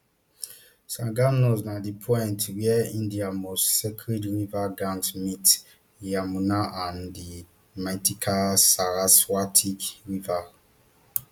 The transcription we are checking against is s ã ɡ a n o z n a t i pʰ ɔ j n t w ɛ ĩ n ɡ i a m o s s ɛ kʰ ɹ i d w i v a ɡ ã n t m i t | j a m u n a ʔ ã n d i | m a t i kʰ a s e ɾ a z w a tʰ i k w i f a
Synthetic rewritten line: s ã ɡ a n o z n a d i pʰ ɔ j n t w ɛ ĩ n d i a m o s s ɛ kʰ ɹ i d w i v a ɡ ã n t m i t | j a m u n a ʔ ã n d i | m a t i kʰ a s a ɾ a s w a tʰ i k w i v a